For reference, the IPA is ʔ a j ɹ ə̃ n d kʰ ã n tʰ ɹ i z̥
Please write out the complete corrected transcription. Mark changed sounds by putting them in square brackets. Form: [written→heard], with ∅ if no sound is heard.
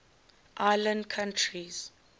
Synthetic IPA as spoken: ʔ a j [ɹ→l] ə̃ n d kʰ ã n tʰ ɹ i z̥